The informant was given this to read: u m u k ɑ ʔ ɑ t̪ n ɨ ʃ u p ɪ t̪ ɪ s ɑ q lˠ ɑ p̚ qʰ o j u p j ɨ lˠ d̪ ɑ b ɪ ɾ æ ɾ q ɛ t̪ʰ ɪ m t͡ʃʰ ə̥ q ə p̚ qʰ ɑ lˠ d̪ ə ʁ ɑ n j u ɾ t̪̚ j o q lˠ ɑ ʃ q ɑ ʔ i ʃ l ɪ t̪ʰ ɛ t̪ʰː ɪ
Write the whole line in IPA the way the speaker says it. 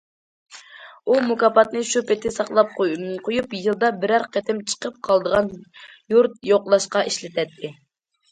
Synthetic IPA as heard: u m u k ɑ p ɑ t̪ n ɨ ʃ u p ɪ t̪ ɪ s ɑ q lˠ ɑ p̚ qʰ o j u p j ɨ lˠ d̪ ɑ b ɪ ɾ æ ɾ q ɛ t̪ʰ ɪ m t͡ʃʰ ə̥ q ə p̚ qʰ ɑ lˠ d̪ ə ʁ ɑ n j u ɾ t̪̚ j o q lˠ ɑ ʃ q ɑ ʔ i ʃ l ɪ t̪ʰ ɛ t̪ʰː ɪ